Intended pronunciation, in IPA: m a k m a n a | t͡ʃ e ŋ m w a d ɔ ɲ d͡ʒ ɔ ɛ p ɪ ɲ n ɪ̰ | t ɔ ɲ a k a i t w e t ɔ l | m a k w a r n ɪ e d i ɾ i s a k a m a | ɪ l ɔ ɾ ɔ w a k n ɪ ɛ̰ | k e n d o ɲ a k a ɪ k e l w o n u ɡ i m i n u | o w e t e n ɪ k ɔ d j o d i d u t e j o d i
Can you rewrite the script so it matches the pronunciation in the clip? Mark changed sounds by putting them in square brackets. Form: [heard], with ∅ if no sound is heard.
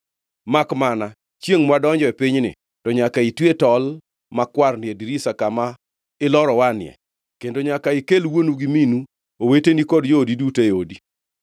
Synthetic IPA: m a k m a n a | t͡ʃ e ŋ m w a d ɔ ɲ d͡ʒ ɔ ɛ p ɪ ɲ n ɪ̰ | t ɔ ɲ a k a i t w e t ɔ l | m a k w a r n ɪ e d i ɾ i s a k a m a | ɪ l ɔ ɾ ɔ w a [∅] n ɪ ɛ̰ | k e n d o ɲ a k a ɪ k e l w o n u ɡ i m i n u | o w e t e n [i] k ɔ d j o d i d u t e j o d i